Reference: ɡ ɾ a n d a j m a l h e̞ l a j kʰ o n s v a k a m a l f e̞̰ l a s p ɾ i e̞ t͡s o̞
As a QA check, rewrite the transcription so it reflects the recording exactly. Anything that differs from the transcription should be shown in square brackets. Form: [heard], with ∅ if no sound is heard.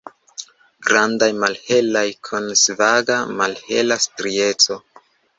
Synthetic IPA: ɡ ɾ a n d a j m a l h e̞ l a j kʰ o n s v a [ɡ] a m a l [h] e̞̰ l a s [t] ɾ i e̞ t͡s o̞